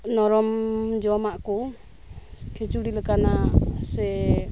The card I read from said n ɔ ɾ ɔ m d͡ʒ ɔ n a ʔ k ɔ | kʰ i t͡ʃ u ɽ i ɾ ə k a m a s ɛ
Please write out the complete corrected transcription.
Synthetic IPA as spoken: n ɔ ɾ ɔ m d͡ʒ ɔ m a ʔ k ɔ | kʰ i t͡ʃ u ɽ i l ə k a n a s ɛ